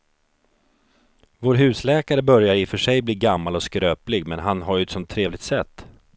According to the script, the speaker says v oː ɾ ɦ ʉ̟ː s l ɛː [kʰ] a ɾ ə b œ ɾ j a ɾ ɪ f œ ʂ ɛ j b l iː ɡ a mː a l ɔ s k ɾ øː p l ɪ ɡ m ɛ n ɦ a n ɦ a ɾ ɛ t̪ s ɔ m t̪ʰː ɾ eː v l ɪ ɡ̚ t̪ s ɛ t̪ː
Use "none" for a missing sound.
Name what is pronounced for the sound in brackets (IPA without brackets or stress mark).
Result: k